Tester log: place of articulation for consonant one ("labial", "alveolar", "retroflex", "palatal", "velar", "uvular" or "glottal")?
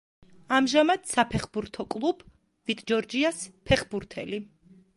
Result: labial